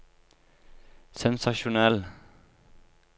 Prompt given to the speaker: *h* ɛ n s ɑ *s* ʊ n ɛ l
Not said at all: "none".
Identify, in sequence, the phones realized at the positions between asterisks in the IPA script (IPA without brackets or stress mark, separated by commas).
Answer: s, ʃ